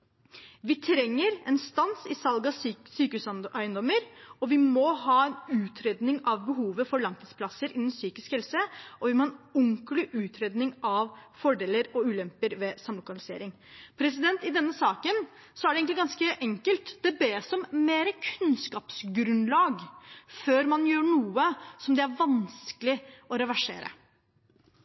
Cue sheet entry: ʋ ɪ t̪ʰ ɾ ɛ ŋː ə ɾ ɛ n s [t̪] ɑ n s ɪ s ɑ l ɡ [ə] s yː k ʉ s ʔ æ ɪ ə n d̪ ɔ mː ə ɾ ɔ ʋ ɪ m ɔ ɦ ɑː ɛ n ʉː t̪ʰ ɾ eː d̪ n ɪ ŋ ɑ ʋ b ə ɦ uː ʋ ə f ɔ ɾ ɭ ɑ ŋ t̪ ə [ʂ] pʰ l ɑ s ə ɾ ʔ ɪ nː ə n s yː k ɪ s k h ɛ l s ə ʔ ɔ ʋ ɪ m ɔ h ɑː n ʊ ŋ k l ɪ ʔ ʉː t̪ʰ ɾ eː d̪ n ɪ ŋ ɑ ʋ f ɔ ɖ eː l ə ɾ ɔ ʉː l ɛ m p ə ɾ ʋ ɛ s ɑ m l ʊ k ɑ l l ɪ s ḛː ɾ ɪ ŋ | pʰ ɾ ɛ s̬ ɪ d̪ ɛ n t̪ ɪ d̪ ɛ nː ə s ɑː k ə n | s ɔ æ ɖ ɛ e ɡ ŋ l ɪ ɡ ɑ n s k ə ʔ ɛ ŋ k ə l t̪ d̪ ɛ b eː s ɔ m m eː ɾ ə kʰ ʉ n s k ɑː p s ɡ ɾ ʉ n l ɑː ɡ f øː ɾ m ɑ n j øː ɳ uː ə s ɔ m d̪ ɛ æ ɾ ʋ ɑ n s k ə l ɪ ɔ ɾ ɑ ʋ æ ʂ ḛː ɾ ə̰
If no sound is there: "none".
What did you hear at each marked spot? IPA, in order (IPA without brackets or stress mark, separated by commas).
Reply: t̪, ɑ, s